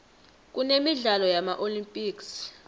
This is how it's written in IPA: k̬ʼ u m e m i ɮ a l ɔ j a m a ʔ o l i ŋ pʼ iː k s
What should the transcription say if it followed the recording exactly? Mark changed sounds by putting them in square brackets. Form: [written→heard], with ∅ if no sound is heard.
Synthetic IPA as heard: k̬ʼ u [m→n] e m i ɮ a l ɔ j a m a ʔ o l i [ŋ→m] pʼ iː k s